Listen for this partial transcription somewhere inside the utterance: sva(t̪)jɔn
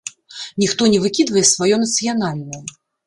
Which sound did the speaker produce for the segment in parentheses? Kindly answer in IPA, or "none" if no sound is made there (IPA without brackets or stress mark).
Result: none